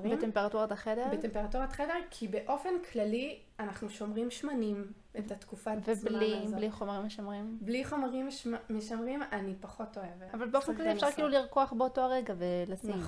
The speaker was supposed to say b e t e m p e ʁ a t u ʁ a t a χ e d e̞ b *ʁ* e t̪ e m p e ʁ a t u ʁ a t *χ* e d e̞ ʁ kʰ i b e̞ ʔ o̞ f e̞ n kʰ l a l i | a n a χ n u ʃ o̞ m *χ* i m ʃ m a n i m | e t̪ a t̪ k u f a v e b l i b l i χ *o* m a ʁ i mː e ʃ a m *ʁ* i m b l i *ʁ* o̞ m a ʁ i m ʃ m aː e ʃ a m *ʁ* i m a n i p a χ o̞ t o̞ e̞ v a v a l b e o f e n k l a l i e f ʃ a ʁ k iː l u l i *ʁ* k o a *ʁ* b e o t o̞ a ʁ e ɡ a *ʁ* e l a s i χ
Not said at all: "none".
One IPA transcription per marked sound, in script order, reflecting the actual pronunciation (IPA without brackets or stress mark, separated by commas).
ʁ, χ, ʁ, o, ʁ, χ, ʁ, ʁ, χ, v